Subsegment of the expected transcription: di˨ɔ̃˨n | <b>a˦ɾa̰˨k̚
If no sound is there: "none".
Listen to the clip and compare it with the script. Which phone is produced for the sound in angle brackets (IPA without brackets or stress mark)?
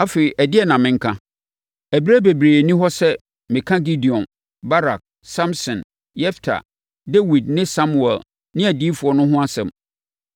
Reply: b